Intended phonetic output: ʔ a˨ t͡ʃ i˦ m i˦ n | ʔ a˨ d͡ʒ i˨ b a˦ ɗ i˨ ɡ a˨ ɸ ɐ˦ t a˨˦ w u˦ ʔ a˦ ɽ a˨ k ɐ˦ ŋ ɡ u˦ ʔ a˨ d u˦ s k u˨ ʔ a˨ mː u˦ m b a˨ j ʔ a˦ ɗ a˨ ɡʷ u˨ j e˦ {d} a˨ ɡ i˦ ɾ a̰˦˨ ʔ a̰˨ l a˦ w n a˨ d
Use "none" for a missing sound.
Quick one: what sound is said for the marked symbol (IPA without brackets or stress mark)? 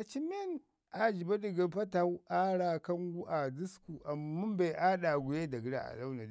d